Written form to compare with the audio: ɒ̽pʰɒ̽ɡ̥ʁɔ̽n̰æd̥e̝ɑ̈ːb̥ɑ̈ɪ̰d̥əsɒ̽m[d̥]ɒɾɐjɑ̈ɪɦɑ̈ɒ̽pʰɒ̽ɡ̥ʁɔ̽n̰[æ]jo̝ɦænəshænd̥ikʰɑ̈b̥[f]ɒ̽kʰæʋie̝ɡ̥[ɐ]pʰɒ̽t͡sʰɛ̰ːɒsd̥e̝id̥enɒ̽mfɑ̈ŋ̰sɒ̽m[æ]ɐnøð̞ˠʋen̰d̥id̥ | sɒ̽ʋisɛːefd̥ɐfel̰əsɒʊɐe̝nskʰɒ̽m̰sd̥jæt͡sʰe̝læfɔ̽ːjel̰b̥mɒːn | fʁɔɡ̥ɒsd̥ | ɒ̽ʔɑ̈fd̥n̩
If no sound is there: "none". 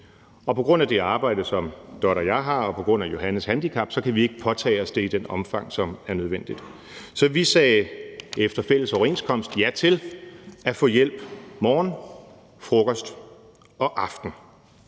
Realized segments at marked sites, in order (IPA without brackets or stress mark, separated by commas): d̥, æ, s, ə, æ